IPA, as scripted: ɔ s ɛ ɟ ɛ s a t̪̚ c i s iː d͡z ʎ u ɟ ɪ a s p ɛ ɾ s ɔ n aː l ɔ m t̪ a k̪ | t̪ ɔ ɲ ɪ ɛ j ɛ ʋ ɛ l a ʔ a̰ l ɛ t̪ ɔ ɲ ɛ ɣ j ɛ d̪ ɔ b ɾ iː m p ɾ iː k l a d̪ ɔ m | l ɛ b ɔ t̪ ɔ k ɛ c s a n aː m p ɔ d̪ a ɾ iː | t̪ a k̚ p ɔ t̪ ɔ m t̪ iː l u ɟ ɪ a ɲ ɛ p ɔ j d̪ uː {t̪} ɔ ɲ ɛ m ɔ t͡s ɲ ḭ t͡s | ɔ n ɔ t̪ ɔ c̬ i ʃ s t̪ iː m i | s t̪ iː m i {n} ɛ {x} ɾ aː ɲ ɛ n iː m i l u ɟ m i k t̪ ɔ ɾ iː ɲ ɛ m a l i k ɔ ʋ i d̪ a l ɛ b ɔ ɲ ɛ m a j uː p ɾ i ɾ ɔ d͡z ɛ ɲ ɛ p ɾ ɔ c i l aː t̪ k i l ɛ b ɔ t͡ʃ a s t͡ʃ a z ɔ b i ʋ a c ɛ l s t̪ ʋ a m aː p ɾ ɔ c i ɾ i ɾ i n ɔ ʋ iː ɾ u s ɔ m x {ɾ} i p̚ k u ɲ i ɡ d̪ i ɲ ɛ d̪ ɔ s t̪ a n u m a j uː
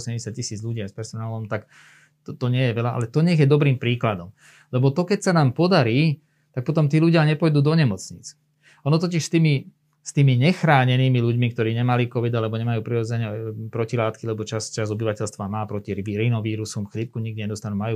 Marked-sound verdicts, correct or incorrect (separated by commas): incorrect, incorrect, correct, incorrect